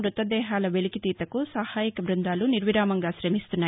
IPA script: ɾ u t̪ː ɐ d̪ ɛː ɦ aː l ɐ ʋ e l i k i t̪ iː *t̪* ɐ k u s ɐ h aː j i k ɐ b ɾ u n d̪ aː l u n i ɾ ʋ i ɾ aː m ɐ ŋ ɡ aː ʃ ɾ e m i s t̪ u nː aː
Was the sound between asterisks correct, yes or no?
yes